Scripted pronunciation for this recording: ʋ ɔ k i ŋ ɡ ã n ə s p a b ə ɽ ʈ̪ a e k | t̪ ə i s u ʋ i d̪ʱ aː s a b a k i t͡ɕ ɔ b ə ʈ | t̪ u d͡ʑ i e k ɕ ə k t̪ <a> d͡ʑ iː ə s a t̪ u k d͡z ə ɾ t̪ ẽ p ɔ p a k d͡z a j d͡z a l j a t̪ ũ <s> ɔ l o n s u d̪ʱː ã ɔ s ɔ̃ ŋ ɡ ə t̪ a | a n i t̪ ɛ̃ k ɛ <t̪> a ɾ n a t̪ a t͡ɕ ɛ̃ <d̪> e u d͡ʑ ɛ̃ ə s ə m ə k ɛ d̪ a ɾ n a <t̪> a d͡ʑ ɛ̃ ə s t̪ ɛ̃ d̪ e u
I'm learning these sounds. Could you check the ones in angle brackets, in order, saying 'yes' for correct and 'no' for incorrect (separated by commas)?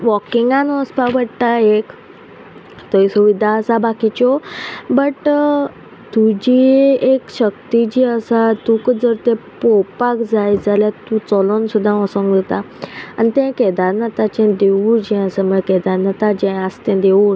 no, no, no, yes, yes